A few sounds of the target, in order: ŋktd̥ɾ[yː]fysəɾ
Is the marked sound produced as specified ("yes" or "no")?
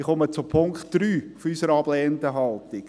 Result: yes